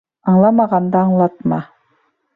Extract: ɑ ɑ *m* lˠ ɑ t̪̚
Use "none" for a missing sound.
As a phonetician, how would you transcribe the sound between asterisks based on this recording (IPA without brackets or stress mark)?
ɴ